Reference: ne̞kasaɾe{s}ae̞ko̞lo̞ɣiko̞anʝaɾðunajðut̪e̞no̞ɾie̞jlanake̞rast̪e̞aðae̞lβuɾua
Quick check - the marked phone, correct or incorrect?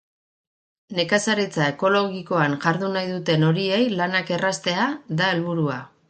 incorrect